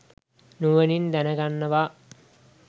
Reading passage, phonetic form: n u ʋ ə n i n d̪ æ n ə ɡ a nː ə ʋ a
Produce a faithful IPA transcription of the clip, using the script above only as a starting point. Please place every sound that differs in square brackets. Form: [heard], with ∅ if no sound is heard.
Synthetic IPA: n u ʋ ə n i n d̪ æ n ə ɡ a nː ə ʋ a